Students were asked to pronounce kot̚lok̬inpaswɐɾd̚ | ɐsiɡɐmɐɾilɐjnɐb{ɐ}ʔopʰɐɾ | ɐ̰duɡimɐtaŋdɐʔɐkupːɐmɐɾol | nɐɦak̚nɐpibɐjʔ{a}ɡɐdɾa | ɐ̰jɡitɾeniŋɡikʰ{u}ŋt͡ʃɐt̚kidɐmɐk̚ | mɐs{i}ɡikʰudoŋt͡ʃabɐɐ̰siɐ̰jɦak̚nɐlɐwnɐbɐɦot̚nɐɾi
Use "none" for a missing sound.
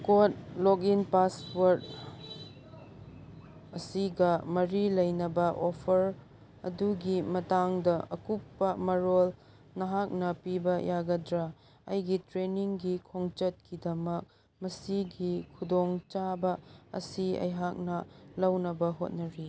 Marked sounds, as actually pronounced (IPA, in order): ɐ, a, o, i

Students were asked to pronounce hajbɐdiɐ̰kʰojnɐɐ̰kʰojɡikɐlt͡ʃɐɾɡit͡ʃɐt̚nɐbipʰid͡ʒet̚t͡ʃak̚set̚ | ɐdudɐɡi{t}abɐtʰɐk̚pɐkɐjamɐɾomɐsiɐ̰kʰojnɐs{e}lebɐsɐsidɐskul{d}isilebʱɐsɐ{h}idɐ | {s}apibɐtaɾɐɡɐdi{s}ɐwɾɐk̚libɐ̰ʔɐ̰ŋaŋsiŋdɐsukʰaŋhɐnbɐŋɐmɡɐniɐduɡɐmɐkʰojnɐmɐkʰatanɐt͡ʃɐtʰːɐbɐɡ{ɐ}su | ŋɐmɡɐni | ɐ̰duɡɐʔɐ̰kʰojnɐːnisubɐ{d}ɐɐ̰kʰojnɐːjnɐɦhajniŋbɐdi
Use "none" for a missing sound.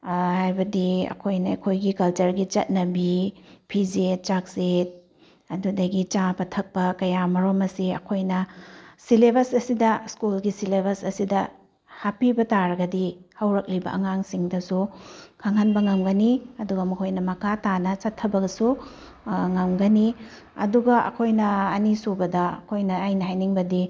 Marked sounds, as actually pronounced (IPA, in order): t͡ʃ, i, ɡ, s, h, h, ɐ, d

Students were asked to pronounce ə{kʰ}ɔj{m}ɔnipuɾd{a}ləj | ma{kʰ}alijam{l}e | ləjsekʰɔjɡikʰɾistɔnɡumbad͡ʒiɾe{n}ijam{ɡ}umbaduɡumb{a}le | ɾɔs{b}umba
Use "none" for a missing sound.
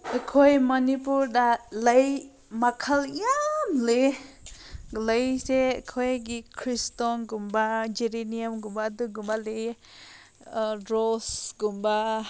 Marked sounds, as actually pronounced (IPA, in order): kʰ, m, a, kʰ, l, n, ɡ, a, ɡ

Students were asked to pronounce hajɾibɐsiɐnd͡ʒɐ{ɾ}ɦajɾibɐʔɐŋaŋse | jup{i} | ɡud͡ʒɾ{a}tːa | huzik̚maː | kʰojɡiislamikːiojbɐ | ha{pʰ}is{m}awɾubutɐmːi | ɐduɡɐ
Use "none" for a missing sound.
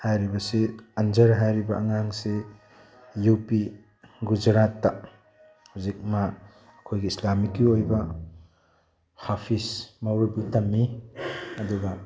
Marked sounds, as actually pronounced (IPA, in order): ɾ, i, a, pʰ, m

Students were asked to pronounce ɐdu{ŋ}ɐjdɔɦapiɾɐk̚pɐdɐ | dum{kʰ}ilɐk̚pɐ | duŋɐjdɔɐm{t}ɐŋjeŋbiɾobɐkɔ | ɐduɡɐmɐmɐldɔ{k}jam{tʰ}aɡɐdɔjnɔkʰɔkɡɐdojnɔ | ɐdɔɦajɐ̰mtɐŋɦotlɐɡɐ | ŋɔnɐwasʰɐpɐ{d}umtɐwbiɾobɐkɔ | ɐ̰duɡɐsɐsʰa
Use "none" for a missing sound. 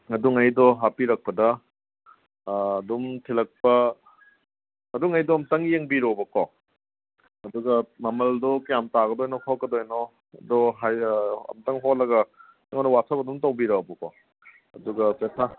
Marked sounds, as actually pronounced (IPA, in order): ŋ, tʰ, t, k, t, d

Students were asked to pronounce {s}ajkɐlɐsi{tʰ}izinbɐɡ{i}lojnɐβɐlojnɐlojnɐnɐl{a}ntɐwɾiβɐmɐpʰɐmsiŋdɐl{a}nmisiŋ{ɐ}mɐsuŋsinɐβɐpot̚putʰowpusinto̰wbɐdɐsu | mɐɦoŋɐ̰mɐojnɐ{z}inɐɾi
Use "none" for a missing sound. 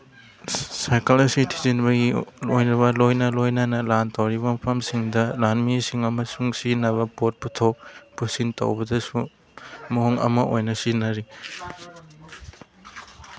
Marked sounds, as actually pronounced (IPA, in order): s, tʰ, i, a, a, ɐ, s

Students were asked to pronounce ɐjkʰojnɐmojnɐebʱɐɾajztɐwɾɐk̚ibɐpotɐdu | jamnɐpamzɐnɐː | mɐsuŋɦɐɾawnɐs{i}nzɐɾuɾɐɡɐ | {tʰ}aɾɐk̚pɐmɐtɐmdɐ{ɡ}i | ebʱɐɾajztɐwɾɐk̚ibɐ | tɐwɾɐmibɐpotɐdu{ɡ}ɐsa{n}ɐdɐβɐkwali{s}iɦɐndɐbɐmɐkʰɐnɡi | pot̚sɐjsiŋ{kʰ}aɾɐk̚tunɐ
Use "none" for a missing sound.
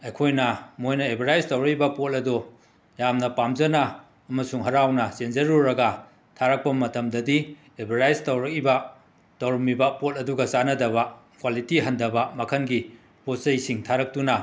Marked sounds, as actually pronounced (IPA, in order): e, tʰ, d, ɡ, n, t, tʰ

